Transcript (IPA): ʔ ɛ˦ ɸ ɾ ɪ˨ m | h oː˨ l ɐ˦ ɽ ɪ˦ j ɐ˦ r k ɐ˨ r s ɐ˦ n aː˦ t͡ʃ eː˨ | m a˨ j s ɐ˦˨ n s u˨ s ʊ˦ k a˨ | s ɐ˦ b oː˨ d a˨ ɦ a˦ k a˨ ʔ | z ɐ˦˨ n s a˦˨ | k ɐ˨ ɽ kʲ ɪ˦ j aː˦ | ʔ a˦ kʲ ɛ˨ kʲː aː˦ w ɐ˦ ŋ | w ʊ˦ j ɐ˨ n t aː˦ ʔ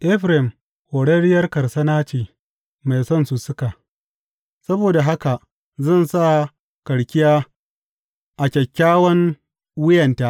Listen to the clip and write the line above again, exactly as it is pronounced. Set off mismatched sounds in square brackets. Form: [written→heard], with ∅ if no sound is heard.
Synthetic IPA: ʔ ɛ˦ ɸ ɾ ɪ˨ m | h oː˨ [l→ɽ] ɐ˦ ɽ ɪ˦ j ɐ˦ r k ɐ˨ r s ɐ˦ n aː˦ t͡ʃ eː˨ | m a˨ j s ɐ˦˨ n s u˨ s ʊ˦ k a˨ | s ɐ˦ b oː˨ d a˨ ɦ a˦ k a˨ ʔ | z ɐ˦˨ n s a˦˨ | k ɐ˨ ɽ kʲ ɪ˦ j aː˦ | ʔ [a˦→a˨] kʲ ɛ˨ kʲː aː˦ w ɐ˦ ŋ | w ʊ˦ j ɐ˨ n t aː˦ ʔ